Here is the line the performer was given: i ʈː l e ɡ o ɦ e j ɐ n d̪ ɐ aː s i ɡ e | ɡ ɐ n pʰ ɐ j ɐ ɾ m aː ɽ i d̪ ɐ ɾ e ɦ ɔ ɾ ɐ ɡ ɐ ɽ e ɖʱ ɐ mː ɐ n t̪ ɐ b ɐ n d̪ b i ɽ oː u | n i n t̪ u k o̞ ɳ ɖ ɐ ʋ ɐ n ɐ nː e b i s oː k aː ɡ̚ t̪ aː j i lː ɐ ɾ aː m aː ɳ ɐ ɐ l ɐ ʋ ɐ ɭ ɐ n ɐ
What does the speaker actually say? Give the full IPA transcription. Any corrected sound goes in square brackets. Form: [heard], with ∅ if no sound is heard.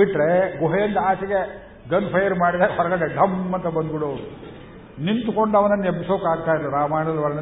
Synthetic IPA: i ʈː [ɾ] e ɡ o ɦ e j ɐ n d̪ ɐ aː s i ɡ e | ɡ ɐ n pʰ ɐ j ɐ ɾ m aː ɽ i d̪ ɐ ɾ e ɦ ɔ ɾ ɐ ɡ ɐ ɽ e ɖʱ ɐ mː ɐ n t̪ ɐ b ɐ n d̪ b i ɽ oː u | n i n t̪ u k o̞ ɳ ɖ ɐ ʋ ɐ n ɐ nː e b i s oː k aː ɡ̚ t̪ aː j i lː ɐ ɾ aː m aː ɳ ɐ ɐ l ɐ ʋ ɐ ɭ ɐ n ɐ